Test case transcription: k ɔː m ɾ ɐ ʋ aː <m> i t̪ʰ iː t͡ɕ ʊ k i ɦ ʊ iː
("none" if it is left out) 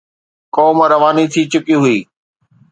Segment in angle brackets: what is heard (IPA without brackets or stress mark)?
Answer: n